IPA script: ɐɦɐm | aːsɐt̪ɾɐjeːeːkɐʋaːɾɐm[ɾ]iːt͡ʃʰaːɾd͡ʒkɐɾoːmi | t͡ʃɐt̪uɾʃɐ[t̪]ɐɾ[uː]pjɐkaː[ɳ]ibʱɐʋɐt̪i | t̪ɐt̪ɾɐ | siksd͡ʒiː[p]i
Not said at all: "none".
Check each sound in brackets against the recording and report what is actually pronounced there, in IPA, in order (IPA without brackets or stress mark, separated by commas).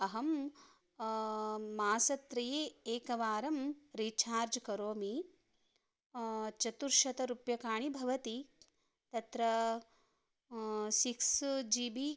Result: ɾ, t̪, u, ɳ, b